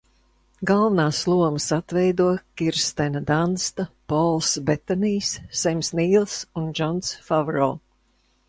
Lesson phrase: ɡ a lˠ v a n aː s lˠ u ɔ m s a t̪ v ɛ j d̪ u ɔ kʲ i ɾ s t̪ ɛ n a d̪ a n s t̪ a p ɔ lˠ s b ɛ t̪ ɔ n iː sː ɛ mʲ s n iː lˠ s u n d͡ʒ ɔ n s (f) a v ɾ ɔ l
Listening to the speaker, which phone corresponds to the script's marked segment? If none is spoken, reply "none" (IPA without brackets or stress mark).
f